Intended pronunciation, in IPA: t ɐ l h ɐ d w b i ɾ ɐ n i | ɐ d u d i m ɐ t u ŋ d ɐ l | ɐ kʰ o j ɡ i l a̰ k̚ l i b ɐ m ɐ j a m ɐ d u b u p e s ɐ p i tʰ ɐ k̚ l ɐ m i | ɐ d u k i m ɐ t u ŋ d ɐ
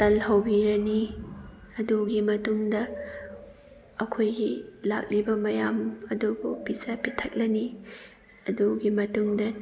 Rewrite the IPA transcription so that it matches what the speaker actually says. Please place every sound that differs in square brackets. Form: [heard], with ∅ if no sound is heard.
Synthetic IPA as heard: t ɐ l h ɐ [∅] w b i ɾ ɐ n i | ɐ d u [ɡ] i m ɐ t u ŋ d ɐ [∅] | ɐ kʰ o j ɡ i l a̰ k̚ l i b ɐ m ɐ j a m ɐ d u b u p [i] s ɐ p i tʰ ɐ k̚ l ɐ [n] i | ɐ d u [ɡ] i m ɐ t u ŋ d ɐ